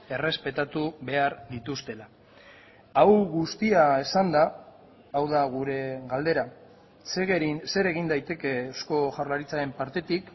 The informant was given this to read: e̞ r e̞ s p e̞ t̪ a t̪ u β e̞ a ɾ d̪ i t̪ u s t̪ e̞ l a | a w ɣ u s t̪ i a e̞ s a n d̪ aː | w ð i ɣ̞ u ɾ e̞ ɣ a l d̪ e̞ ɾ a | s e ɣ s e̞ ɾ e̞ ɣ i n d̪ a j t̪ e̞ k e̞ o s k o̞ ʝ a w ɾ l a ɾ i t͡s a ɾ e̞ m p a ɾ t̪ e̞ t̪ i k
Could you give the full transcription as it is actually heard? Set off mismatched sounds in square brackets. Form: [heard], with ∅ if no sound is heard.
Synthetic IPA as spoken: e̞ r e̞ s p e̞ t̪ a t̪ u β e̞ a ɾ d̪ i t̪ u s t̪ e̞ l a | a w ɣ u s t̪ i a e̞ s a n d̪ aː | w ð [a] ɣ̞ u ɾ e̞ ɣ a l d̪ e̞ ɾ a | s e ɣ s e̞ ɾ e̞ ɣ i n d̪ a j t̪ e̞ k e̞ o s k o̞ ʝ a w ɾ l a ɾ i t͡s a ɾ e̞ m p a ɾ t̪ e̞ t̪ i k